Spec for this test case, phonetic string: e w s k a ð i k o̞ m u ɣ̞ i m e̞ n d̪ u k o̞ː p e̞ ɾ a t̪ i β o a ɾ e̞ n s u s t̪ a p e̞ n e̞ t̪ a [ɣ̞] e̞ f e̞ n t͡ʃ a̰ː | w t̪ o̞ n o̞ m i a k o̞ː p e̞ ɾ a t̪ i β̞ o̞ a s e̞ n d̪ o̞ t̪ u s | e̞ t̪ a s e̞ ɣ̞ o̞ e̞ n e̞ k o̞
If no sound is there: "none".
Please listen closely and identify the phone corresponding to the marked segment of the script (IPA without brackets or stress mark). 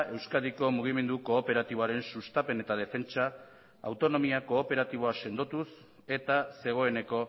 ð̞